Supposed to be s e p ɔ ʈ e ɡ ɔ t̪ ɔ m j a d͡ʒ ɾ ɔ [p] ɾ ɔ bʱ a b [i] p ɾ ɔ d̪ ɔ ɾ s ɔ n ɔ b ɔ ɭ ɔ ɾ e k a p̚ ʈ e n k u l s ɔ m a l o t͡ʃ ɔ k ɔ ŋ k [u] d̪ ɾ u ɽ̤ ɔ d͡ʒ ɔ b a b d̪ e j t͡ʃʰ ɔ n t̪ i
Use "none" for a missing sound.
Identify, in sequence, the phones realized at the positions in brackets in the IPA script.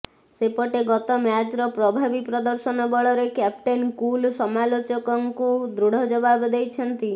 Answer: p, i, u

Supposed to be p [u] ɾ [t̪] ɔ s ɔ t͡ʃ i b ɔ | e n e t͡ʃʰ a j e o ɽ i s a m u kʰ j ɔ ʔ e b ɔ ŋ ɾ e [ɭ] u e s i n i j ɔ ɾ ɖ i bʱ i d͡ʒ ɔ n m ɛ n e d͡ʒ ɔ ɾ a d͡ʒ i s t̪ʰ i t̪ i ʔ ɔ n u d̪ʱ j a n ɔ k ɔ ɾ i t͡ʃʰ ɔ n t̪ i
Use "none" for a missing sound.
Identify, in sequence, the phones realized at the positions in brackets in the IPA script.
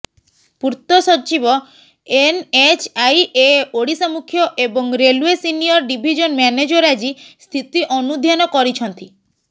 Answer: u, t̪, l

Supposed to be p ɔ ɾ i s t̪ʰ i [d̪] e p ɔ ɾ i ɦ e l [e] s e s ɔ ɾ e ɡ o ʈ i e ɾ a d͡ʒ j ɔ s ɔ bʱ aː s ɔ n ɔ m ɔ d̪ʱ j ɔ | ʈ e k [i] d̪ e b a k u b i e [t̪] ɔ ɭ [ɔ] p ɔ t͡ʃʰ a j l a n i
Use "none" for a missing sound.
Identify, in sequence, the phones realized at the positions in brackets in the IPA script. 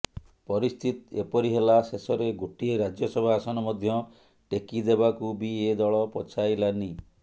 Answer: t̪, a, i, d̪, ɔ

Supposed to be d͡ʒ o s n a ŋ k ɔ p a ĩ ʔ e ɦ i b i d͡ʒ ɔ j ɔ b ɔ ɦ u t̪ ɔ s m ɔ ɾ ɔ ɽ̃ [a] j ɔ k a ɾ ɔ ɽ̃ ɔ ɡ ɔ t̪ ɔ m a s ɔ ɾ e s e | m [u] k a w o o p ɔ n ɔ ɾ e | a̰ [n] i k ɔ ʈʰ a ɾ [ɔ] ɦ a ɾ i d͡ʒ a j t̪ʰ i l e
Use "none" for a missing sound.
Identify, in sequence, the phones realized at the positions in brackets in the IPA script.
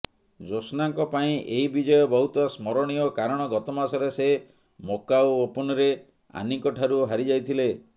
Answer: i, o, n, u

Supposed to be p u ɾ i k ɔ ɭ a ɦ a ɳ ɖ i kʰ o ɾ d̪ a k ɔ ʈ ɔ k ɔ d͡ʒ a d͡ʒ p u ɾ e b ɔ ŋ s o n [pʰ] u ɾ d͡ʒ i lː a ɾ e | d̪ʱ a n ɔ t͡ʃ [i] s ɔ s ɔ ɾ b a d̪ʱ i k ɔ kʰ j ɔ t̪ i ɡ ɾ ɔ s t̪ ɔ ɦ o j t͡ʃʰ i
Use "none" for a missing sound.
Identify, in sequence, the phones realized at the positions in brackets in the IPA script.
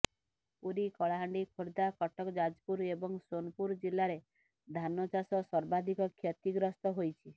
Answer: p, a

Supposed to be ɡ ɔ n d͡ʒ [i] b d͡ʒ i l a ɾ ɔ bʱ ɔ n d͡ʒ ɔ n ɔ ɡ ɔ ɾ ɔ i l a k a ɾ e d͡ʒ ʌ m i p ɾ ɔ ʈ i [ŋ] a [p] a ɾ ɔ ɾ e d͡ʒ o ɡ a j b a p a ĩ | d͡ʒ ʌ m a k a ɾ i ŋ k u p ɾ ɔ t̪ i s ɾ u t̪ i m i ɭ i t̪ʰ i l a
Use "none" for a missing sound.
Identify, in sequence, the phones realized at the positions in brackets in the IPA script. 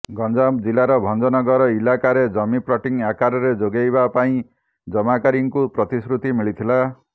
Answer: a, ŋ, k

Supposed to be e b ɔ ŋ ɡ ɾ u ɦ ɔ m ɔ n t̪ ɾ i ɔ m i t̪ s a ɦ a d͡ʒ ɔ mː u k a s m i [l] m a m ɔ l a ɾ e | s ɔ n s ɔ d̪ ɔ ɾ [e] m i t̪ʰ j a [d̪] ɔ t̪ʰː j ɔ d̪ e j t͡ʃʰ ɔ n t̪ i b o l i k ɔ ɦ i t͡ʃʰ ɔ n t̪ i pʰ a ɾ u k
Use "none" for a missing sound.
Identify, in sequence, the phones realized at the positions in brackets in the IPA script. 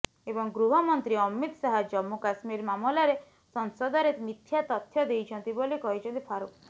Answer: ɾ, e, t̪

